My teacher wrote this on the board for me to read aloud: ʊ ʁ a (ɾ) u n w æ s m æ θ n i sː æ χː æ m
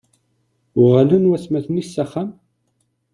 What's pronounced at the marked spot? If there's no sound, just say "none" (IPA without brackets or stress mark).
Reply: l